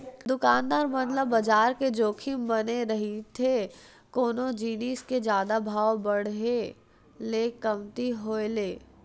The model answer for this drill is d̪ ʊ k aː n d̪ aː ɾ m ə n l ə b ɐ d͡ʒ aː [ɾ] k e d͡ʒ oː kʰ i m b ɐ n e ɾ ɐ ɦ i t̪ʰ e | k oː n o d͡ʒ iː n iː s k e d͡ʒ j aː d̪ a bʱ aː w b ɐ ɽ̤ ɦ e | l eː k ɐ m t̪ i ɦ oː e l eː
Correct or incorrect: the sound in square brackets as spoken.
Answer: correct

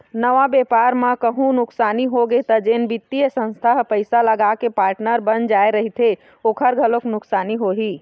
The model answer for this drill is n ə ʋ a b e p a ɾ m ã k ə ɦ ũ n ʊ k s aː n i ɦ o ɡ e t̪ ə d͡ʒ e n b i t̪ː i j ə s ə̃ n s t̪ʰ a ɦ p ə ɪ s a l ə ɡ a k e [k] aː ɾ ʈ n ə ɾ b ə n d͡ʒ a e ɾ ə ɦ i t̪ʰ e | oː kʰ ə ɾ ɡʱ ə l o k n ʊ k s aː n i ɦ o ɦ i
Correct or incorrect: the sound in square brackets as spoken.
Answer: incorrect: p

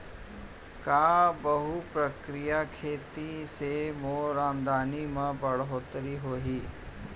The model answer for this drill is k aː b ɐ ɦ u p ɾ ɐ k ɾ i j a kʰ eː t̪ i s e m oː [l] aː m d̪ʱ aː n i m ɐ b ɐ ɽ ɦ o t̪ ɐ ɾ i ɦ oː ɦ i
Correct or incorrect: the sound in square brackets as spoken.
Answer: incorrect: ɾ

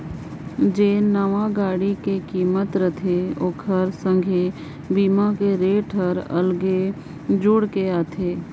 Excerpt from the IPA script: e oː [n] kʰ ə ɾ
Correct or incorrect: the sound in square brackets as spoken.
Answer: incorrect: none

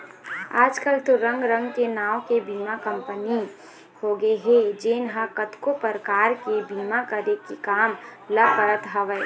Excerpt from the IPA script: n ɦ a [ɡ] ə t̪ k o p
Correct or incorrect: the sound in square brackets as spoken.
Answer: incorrect: k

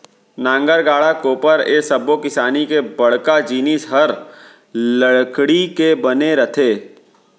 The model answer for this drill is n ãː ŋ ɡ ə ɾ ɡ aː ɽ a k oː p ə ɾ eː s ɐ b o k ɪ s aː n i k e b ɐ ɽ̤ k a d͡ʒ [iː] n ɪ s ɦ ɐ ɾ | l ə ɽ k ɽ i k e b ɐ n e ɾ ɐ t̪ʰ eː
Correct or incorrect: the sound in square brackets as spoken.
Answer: correct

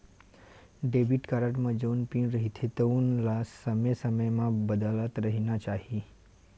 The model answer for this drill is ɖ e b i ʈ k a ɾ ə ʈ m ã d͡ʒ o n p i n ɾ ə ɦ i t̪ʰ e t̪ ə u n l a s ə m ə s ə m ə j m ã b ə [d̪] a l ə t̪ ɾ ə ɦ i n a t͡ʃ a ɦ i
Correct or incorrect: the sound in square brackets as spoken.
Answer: correct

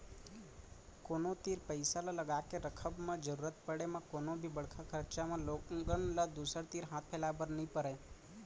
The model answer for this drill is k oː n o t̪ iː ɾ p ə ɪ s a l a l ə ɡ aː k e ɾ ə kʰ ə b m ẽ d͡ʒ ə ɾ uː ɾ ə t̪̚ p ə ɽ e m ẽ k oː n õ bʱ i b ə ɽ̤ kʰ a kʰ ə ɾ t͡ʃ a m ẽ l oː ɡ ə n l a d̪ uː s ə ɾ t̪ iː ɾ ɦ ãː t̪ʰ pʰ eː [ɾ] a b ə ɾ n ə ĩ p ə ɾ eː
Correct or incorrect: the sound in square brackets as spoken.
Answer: incorrect: l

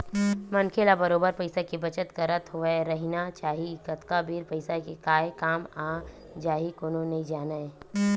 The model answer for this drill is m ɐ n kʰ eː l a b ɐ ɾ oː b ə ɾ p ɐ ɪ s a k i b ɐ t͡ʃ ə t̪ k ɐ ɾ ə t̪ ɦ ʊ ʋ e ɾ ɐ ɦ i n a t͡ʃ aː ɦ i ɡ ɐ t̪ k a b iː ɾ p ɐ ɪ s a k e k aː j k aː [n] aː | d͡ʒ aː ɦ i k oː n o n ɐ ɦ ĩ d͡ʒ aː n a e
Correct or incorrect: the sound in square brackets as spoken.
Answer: incorrect: m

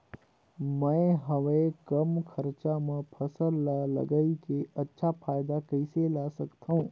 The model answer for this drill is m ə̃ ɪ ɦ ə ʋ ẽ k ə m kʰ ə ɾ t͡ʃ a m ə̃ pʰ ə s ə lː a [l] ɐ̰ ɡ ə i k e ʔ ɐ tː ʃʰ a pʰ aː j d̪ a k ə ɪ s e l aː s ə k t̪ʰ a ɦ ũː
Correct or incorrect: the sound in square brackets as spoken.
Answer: correct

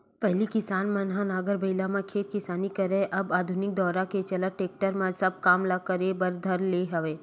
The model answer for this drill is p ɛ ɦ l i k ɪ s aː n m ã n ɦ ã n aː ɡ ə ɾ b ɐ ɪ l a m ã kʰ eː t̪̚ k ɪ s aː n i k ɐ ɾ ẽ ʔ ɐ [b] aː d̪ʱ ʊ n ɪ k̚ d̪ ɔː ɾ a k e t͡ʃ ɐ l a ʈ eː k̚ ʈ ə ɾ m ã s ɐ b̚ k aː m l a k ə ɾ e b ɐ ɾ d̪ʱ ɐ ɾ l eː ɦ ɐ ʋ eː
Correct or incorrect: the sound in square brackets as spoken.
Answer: correct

